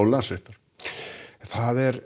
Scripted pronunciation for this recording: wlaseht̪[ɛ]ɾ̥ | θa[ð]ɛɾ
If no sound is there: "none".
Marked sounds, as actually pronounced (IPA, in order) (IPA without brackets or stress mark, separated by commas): a, ð